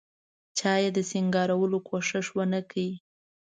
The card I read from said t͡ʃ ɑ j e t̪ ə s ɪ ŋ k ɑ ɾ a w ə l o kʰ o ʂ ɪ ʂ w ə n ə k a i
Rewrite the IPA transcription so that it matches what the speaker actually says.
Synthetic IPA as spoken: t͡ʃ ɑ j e d̪ ə s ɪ ŋ ɡ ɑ ɾ a w ə l o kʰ o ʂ ɪ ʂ w ə n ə k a i